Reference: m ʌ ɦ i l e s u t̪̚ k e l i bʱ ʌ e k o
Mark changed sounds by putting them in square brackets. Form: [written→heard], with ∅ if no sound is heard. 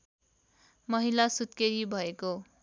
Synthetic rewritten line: m ʌ ɦ i l [e→a] s u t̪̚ k e [l→ɾ] i bʱ ʌ e k o